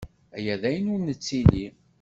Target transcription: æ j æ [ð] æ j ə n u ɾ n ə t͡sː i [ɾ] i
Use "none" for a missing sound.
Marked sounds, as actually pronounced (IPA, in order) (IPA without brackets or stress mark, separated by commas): ð, l